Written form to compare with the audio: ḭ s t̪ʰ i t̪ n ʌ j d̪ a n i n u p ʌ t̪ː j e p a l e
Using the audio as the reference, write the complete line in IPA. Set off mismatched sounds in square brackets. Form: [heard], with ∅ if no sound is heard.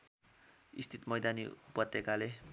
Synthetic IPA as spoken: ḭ s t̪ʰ i t̪ [m] ʌ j d̪ a n i [∅] u p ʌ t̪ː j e [k] a l e